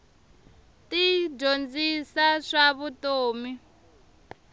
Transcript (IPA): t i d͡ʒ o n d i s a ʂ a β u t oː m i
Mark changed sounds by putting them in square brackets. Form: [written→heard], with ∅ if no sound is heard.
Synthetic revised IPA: t i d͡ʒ o n [d→d͡z] i s a ʂ a β u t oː m i